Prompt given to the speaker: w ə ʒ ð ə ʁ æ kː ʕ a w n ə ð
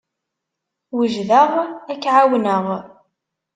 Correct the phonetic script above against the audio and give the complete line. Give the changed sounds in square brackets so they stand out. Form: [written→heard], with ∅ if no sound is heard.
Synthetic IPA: w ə ʒ ð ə ʁ æ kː ʕ a w n ə [ð→ʁ]